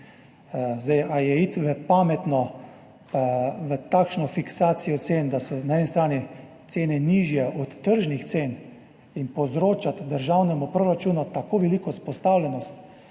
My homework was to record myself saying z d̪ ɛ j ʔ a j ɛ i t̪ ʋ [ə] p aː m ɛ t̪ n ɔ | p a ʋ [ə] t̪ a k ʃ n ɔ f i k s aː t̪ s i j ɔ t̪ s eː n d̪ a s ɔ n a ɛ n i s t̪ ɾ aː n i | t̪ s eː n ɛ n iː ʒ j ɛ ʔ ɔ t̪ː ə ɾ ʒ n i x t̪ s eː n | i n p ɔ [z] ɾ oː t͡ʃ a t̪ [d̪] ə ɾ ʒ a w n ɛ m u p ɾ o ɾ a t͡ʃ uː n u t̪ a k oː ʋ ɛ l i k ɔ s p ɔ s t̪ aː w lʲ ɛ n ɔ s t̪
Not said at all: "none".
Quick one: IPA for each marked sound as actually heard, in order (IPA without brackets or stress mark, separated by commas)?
ə, ə, z, d̪